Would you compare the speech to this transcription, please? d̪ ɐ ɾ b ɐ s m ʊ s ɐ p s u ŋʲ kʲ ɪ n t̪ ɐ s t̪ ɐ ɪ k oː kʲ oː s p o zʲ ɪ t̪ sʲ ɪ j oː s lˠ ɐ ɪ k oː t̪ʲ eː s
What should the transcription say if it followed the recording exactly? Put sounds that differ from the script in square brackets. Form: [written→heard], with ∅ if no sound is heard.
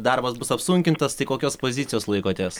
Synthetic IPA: d̪ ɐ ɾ b ɐ s [m→b] ʊ s ɐ p s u ŋʲ kʲ ɪ n t̪ ɐ s t̪ ɐ ɪ k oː kʲ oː s p o zʲ ɪ t̪ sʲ ɪ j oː s lˠ ɐ ɪ k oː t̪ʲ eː s